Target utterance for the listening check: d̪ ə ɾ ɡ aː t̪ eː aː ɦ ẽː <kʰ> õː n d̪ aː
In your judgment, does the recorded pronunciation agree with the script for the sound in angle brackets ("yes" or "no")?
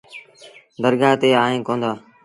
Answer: no